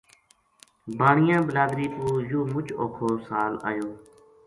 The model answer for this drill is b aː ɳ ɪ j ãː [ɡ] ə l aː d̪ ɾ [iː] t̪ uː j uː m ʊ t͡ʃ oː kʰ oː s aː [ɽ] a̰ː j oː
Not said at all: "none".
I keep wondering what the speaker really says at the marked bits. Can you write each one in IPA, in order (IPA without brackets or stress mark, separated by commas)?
b, iː, l